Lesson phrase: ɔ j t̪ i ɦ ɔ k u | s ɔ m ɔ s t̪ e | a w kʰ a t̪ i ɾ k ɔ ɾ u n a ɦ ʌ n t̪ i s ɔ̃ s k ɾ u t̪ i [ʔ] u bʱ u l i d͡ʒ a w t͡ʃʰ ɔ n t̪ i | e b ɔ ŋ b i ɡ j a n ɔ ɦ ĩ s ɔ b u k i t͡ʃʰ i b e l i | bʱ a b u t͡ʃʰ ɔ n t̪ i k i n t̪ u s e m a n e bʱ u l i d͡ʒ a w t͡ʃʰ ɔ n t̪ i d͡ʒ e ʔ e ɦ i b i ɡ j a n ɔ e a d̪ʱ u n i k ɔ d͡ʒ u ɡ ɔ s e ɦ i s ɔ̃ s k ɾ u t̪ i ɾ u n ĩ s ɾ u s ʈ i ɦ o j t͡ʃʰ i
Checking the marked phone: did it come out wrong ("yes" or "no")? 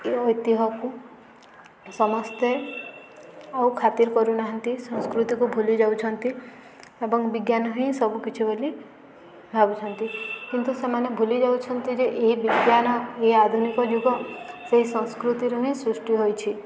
yes